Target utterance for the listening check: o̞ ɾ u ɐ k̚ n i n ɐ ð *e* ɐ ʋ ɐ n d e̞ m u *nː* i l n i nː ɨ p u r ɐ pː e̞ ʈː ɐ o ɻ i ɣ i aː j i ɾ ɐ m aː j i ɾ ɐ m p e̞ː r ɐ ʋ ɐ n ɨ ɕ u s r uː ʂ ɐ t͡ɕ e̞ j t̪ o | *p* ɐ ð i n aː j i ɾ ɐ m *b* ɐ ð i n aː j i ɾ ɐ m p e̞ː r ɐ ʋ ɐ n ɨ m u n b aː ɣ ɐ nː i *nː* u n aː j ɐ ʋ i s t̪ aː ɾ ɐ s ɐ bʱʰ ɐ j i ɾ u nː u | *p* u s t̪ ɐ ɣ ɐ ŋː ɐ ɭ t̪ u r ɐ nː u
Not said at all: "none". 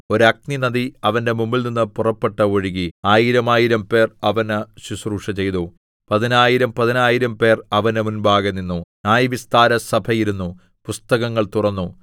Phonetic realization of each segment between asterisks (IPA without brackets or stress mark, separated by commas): i, mː, p, p, nː, p